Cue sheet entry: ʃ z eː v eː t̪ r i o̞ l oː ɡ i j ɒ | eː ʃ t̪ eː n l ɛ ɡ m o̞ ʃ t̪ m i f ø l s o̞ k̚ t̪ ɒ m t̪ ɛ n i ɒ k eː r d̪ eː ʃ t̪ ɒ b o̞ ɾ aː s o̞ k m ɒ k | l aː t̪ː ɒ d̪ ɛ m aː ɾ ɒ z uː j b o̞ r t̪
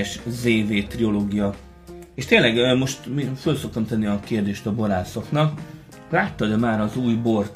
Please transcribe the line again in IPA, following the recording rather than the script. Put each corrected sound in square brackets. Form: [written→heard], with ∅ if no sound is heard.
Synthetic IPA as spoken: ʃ z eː v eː t̪ r i o̞ l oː ɡ i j ɒ | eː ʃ t̪ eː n l ɛ ɡ m o̞ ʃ t̪ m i f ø l s o̞ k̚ t̪ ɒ m t̪ ɛ [n→nː] i ɒ k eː r d̪ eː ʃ t̪ ɒ b o̞ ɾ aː s o̞ k [m→n] ɒ k | l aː t̪ː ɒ d̪ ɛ m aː ɾ ɒ z uː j b o̞ r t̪